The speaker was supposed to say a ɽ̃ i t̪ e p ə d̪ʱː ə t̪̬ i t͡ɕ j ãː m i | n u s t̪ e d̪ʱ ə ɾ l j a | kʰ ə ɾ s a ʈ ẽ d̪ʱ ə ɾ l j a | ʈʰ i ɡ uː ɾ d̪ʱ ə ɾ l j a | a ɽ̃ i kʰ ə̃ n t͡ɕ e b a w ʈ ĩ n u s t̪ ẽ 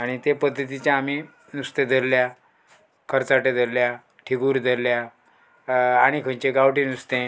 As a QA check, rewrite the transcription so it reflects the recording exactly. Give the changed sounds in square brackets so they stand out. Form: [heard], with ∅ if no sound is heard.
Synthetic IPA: a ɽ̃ i t̪ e p ə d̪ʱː ə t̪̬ i t͡ɕ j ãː m i | n u s t̪ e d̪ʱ ə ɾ l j a | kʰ ə ɾ [t͡s] a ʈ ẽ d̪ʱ ə ɾ l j a | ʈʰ i ɡ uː ɾ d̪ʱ ə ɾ l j a | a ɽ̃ i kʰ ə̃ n t͡ɕ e [ɡ] a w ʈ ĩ n u s t̪ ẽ